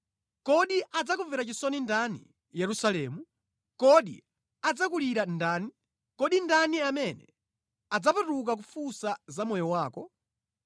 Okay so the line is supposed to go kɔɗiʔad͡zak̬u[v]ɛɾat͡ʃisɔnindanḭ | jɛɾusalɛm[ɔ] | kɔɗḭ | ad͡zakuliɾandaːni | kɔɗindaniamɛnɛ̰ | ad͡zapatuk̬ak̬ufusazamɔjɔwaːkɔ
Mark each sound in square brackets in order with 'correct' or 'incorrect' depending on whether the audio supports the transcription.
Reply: correct, incorrect: u

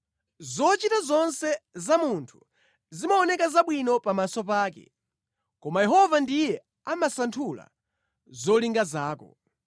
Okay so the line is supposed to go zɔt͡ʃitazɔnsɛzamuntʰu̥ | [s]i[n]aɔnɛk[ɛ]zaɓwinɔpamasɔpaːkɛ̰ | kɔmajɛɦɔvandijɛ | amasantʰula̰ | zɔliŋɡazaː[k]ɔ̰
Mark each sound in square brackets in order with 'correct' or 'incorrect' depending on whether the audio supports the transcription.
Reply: incorrect: z, incorrect: m, incorrect: a, correct

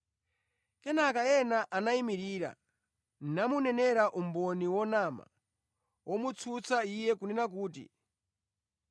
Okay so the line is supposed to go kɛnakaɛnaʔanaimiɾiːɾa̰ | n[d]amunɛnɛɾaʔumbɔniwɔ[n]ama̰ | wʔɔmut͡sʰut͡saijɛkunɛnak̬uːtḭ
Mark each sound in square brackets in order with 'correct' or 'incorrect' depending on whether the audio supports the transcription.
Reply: incorrect: n, correct

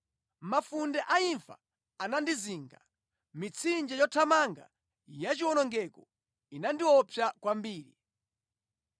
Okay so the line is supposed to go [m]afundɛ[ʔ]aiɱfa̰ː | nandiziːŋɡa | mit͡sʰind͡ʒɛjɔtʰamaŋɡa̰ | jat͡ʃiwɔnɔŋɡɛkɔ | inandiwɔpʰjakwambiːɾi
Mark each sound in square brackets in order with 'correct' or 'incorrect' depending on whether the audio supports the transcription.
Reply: correct, correct

